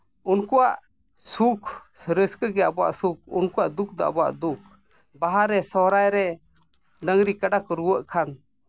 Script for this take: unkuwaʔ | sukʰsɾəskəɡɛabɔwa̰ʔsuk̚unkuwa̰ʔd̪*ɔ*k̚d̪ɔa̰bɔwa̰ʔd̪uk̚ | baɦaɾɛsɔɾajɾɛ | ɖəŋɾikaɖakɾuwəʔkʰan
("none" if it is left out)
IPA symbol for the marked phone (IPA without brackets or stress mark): u